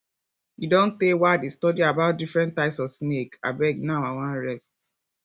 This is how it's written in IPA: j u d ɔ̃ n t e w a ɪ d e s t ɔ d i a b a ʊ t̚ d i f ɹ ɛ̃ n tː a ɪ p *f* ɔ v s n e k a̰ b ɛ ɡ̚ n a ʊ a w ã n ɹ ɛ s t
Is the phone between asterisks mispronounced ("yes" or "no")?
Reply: yes